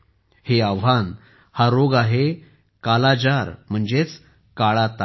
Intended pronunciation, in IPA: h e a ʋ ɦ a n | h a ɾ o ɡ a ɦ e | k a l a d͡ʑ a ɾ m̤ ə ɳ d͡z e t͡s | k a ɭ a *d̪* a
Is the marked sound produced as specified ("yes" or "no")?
no